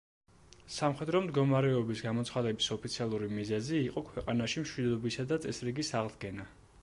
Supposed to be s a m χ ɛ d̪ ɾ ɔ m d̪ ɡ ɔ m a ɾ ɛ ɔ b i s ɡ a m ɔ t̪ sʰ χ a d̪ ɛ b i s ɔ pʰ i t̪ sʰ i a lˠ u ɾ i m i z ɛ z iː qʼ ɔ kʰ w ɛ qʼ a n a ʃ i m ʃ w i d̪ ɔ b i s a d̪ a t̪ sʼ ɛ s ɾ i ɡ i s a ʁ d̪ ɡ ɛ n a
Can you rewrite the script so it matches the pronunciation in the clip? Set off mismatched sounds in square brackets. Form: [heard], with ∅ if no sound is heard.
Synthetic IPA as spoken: s a m χ ɛ d̪ ɾ ɔ m d̪ ɡ ɔ m a ɾ ɛ ɔ b i s ɡ a m ɔ t̪ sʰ χ a d̪ ɛ b i s ɔ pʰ i t̪ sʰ i a lˠ u ɾ i m i z ɛ z iː qʼ ɔ kʰ w ɛ qʼ a n a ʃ i m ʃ w i d̪ ɔ b i s a d̪ a t̪ sʼ ɛ s ɾ i ɡ i s a ʁ d̪ ɡ ɛ n a